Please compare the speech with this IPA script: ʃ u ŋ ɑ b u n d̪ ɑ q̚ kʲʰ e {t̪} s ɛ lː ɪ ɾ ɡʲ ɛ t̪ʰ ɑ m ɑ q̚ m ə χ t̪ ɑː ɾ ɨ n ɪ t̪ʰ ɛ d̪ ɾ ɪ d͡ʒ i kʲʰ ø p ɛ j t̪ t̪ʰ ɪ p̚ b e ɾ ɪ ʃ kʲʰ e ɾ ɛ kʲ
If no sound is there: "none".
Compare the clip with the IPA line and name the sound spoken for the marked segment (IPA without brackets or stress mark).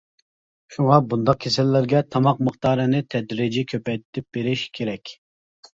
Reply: none